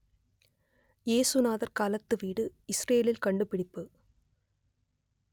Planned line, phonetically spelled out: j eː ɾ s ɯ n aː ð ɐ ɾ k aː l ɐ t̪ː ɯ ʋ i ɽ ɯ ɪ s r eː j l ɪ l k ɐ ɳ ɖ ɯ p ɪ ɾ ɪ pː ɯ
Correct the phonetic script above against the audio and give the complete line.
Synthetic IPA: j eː s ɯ n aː ð ɐ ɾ k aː l ɐ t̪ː ɯ ʋ iː ɽ ɯ ɪ s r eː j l ɪ l k ɐ ɳ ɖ ɯ p ɪ ɽ ɪ pː ɯ